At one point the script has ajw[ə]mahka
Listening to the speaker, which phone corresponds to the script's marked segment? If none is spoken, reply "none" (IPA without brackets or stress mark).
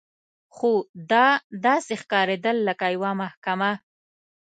a